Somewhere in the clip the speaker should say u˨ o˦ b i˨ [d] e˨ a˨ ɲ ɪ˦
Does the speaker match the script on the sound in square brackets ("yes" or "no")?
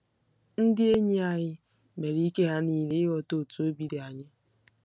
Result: yes